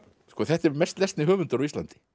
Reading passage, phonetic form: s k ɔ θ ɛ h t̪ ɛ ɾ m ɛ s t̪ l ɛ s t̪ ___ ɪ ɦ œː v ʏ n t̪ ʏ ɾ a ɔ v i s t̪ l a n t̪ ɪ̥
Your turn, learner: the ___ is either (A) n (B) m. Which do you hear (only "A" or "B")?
A